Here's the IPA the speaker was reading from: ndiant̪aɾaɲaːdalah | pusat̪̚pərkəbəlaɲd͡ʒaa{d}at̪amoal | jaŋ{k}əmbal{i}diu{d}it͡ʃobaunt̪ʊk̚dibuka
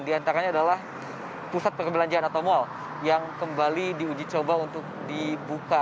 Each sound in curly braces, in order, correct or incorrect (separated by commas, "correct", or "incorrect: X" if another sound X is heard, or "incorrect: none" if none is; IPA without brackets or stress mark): incorrect: n, correct, correct, incorrect: d͡ʒ